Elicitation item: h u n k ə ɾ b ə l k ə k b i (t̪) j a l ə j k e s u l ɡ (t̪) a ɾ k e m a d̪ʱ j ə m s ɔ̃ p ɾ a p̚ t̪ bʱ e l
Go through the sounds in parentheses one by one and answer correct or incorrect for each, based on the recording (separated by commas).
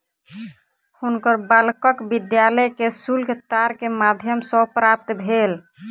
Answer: incorrect, correct